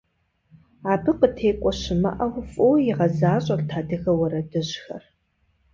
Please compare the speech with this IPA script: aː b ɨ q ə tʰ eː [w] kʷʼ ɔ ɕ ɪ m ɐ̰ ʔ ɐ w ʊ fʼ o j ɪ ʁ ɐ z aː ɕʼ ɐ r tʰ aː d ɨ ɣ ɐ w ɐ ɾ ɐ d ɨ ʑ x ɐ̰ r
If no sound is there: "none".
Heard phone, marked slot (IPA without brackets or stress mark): none